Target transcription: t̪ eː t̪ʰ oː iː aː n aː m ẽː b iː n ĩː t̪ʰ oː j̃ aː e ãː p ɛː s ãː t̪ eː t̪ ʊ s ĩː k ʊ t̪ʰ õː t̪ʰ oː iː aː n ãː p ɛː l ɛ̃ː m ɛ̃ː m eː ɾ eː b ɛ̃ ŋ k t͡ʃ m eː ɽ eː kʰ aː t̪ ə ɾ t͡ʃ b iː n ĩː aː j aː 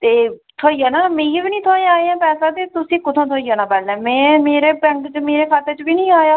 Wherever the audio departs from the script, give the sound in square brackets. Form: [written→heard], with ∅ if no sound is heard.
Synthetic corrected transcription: t̪ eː t̪ʰ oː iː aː n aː m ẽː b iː n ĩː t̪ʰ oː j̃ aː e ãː p ɛː s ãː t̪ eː t̪ ʊ s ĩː k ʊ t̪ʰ õː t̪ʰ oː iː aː n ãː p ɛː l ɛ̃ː m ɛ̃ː m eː ɾ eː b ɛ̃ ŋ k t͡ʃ m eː [ɽ→ɾ] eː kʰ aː t̪ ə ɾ t͡ʃ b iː n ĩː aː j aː